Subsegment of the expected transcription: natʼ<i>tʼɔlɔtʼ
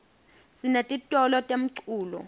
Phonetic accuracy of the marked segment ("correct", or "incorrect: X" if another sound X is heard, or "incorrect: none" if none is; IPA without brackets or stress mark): correct